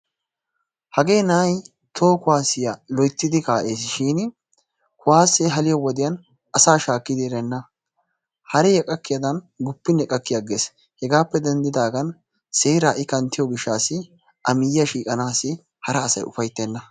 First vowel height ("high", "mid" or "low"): low